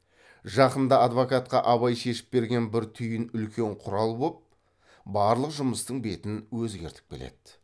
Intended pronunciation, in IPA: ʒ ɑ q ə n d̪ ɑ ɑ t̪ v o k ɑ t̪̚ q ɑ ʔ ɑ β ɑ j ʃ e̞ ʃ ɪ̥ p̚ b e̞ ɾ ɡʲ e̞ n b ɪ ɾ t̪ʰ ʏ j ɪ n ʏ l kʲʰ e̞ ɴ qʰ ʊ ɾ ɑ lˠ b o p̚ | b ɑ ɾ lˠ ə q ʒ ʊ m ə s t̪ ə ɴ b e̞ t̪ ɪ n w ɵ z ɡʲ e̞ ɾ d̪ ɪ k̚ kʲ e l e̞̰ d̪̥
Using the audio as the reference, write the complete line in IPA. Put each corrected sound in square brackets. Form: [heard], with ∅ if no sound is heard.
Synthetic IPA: ʒ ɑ q ə n d̪ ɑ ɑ [d̪] v o k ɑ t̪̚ q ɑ ʔ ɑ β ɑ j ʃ e̞ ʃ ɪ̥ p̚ b e̞ ɾ ɡʲ e̞ n b ɪ ɾ t̪ʰ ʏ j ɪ n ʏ l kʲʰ e̞ ɴ qʰ ʊ ɾ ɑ lˠ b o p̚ | b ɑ ɾ lˠ ə q ʒ ʊ m ə s t̪ ə ɴ b e̞ t̪ ɪ n w ɵ z ɡʲ e̞ ɾ [t̪] ɪ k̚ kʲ e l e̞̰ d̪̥

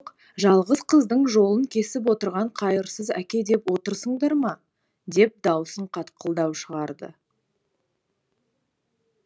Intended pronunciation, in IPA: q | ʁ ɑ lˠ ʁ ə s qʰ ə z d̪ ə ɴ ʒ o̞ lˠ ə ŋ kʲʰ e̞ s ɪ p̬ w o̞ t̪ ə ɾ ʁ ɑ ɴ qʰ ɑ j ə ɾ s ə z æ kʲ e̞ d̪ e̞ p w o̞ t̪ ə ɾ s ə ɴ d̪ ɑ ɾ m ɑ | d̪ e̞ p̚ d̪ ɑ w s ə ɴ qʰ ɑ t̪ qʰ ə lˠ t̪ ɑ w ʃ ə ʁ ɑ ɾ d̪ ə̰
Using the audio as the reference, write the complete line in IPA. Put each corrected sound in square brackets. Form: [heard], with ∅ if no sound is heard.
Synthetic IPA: q | [ʒ] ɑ lˠ ʁ ə [z] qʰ ə z d̪ ə ɴ ʒ o̞ lˠ ə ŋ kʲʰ e̞ s ɪ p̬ w o̞ t̪ ə ɾ ʁ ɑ ɴ qʰ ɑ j ə ɾ s ə z æ kʲ e̞ d̪ e̞ p w o̞ t̪ ə ɾ s ə ɴ d̪ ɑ ɾ m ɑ | d̪ e̞ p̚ d̪ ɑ w s ə ɴ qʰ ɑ t̪ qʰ ə lˠ [d̪] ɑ w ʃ ə ʁ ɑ ɾ d̪ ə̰

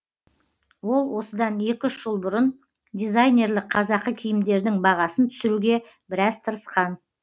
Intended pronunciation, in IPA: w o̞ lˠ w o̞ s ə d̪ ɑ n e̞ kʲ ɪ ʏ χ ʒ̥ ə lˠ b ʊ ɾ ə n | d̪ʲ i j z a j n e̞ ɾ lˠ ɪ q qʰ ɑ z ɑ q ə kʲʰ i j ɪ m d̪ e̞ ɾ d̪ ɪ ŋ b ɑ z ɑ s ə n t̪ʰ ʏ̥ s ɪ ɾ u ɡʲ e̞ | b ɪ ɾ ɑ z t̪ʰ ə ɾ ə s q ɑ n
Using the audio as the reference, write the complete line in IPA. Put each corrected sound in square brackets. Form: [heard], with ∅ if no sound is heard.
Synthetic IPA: w o̞ lˠ w o̞ s ə d̪ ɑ n e̞ kʲ ɪ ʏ [ʃ] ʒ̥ ə lˠ b ʊ ɾ ə n | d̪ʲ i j z a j n e̞ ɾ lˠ ɪ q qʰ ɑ z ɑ q ə kʲʰ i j ɪ m d̪ e̞ ɾ d̪ ɪ ŋ b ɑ [ʁ] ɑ s ə n t̪ʰ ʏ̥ s ɪ ɾ u ɡʲ e̞ | b ɪ ɾ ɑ z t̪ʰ ə ɾ ə s q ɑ n

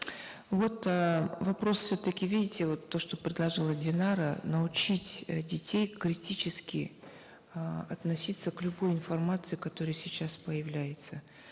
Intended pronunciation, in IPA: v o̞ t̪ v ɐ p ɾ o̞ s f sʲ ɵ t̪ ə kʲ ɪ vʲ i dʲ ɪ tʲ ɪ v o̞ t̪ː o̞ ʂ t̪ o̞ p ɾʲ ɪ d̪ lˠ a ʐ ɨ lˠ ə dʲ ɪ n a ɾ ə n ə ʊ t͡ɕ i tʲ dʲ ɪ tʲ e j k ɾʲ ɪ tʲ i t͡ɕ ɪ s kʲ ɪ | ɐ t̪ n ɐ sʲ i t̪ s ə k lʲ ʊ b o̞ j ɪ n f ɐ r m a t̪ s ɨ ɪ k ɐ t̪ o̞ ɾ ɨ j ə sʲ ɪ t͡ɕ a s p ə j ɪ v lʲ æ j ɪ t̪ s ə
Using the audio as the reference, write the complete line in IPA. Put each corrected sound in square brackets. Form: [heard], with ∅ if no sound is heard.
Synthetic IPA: v o̞ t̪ v ɐ p ɾ o̞ s f sʲ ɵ t̪ ə kʲ ɪ vʲ i dʲ ɪ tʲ ɪ v o̞ t̪ː o̞ ʂ t̪ o̞ p ɾʲ ɪ d̪ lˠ [ɐ] ʐ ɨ lˠ ə dʲ ɪ n a ɾ ə n ə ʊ t͡ɕ i tʲ dʲ ɪ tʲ e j k ɾʲ ɪ tʲ i t͡ɕ ɪ s kʲ ɪ | ɐ t̪ n ɐ sʲ i t̪ s ə k lʲ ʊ b o̞ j ɪ n f ɐ r m a t̪ s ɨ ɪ k ɐ t̪ o̞ ɾ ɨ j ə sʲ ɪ t͡ɕ a s p ə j ɪ v lʲ æ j ɪ t̪ s ə

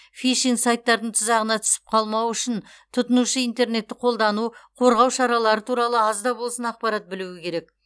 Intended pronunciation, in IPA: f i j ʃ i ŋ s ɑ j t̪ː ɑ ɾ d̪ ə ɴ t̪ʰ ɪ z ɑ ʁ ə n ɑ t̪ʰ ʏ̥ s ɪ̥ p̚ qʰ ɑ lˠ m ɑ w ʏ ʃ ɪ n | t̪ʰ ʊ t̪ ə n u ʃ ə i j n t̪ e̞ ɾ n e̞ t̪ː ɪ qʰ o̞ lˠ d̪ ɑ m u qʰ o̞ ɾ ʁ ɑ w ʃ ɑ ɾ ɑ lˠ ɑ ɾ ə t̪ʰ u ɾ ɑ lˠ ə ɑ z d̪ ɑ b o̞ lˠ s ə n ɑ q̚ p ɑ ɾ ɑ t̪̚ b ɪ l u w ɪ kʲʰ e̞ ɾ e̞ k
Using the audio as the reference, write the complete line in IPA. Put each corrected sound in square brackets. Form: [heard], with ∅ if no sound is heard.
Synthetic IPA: f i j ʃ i ŋ s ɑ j t̪ː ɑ ɾ d̪ ə ɴ t̪ʰ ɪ z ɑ ʁ ə n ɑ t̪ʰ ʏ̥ s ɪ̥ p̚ qʰ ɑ lˠ m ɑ w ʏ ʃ ɪ n | t̪ʰ ʊ t̪ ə n u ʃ ə i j n t̪ e̞ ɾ n e̞ t̪ː ɪ qʰ o̞ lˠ d̪ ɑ [n] u qʰ o̞ ɾ ʁ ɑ w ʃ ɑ ɾ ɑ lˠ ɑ ɾ ə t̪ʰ u ɾ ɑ lˠ ə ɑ z d̪ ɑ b o̞ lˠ s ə n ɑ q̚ p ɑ ɾ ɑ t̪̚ b ɪ l u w ɪ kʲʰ e̞ ɾ e̞ k

